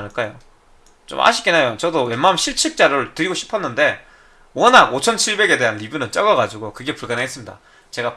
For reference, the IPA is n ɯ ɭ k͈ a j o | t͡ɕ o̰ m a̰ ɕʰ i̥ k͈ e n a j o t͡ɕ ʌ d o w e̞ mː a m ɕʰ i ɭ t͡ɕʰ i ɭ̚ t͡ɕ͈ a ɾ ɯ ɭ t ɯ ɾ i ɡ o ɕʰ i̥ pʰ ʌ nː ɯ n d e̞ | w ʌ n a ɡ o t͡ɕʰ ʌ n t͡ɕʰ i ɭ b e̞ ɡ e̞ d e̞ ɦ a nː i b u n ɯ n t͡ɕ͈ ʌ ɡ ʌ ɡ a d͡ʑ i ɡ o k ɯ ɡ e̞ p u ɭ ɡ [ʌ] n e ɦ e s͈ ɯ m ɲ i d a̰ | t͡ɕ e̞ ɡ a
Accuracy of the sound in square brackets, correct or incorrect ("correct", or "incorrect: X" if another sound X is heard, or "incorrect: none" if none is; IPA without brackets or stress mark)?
incorrect: a